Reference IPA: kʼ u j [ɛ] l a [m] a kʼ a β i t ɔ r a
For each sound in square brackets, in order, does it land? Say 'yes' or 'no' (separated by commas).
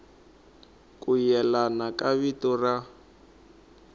yes, no